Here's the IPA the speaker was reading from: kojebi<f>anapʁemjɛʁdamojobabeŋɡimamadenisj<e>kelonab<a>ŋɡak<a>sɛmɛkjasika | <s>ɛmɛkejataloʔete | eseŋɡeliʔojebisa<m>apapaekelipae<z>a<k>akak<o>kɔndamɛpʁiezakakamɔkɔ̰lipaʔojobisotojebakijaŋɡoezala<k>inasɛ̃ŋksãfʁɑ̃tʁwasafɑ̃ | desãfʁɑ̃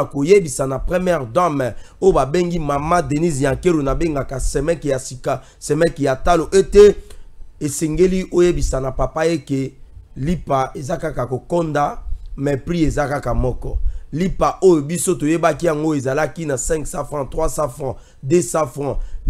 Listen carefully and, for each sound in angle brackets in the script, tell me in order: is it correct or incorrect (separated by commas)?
incorrect, incorrect, incorrect, correct, correct, incorrect, correct, correct, correct, correct